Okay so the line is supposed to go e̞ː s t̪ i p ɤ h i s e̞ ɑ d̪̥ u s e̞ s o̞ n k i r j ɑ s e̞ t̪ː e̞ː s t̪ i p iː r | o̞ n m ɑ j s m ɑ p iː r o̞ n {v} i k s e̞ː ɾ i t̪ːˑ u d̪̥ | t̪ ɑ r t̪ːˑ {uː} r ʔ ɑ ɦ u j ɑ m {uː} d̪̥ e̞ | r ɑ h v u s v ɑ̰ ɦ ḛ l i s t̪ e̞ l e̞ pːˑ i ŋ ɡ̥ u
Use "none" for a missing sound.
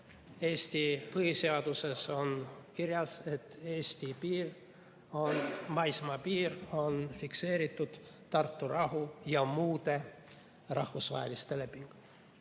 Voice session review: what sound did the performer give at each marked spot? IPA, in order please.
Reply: f, u, uː

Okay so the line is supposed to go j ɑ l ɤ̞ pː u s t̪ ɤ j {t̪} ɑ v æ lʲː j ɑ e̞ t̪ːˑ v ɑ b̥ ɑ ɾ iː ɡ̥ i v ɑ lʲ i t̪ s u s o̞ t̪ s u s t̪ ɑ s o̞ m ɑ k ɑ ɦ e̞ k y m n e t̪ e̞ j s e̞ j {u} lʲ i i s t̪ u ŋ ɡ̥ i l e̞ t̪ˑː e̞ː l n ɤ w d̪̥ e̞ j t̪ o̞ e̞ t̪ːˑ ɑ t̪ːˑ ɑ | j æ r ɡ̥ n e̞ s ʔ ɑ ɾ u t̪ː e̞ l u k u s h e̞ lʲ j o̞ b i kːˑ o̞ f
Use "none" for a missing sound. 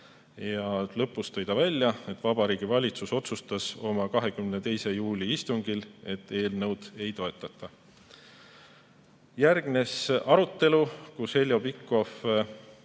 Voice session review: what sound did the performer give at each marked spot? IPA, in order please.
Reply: d̪, uː

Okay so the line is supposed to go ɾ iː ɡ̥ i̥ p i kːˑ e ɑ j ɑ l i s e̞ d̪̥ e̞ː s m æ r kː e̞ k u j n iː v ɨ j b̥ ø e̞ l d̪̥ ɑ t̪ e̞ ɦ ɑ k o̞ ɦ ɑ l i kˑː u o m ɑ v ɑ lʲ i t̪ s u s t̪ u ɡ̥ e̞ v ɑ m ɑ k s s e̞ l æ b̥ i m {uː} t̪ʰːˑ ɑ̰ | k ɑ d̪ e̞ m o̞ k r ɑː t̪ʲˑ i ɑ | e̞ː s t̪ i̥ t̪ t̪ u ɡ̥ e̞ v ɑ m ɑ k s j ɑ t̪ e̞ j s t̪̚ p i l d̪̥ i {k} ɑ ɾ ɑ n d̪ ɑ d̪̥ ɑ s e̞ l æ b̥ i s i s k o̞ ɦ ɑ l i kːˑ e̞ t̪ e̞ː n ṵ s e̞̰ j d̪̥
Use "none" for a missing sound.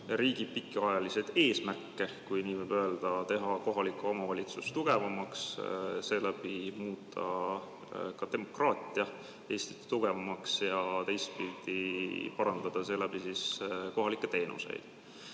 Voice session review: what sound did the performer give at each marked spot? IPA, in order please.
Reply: uː, p

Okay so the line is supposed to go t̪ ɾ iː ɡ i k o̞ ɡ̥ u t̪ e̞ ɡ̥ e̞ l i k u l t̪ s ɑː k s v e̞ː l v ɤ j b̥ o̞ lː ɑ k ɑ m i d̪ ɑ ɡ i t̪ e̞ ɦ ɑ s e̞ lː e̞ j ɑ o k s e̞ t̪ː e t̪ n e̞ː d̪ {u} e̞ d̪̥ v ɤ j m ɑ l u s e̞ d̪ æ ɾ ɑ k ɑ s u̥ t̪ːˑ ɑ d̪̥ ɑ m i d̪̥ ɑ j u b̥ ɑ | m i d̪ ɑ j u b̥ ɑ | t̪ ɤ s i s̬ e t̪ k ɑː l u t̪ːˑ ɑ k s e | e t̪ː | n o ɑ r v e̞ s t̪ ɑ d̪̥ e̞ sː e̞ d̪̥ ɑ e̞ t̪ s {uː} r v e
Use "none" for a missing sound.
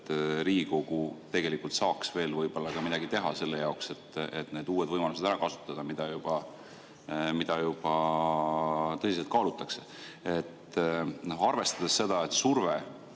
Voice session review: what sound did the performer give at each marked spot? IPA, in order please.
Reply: uː, u

